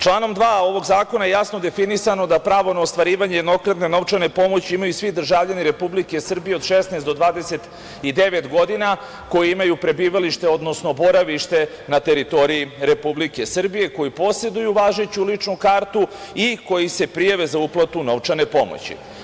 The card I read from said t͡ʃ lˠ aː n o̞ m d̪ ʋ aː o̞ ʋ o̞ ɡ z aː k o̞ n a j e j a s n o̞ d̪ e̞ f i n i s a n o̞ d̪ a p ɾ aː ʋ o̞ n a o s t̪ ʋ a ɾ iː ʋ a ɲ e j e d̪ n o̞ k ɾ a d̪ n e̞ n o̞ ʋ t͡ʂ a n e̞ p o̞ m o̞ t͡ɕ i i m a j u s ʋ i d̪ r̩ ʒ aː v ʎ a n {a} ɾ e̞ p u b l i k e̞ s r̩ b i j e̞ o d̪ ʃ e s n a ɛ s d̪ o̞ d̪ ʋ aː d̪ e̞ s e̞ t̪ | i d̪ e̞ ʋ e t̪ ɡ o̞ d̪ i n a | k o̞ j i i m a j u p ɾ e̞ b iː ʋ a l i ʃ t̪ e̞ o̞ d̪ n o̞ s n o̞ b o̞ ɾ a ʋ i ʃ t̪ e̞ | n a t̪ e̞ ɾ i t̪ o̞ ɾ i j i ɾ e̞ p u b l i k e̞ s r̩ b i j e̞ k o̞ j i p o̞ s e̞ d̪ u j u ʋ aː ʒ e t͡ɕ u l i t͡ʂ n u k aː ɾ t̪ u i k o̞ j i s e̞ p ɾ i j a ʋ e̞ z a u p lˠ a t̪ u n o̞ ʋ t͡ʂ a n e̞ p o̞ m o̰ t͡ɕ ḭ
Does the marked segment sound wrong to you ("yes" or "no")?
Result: yes